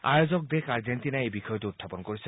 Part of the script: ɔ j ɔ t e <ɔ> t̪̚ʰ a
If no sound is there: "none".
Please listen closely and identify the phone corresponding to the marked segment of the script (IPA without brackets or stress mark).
u